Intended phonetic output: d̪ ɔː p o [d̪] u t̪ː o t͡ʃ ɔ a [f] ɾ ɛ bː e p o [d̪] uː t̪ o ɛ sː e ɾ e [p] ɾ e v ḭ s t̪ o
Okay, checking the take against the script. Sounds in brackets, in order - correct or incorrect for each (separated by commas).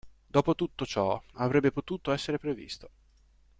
incorrect, incorrect, incorrect, correct